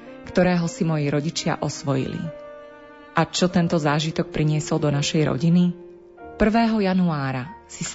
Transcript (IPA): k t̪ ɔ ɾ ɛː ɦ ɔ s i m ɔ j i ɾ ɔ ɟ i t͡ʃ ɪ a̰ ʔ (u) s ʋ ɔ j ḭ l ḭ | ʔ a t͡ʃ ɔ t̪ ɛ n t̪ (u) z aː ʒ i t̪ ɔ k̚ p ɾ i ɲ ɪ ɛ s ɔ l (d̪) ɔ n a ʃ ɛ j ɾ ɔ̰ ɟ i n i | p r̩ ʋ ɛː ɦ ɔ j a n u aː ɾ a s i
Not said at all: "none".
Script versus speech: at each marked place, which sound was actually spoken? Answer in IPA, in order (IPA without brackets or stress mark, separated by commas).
ɔ, ɔ, d̪